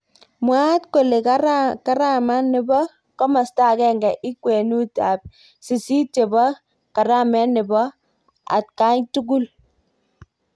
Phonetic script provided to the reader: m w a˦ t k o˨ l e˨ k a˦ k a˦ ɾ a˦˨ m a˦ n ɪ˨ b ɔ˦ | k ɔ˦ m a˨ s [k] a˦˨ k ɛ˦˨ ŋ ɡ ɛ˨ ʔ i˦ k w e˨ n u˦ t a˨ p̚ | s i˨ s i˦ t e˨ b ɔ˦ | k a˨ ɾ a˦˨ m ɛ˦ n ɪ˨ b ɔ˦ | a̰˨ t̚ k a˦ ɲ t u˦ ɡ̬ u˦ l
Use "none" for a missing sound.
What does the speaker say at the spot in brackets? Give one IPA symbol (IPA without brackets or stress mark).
t